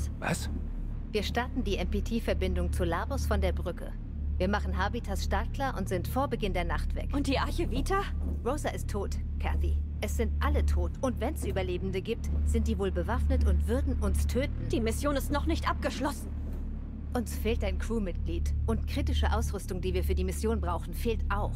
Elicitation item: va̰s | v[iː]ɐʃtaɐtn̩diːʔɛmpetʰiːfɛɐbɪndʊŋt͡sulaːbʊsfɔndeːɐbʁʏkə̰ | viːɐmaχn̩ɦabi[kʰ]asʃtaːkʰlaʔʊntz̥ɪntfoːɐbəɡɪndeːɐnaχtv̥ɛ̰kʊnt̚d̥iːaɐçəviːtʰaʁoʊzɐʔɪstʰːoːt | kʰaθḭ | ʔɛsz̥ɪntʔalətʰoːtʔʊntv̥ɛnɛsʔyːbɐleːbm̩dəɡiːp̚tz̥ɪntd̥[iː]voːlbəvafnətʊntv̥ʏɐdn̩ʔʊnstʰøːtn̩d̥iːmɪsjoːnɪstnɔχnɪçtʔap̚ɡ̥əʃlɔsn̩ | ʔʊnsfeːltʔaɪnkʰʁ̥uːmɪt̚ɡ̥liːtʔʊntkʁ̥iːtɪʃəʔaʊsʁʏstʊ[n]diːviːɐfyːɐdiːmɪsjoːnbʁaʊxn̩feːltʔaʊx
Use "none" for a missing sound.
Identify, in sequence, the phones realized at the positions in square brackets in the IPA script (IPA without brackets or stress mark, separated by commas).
iː, tʰ, iː, ŋ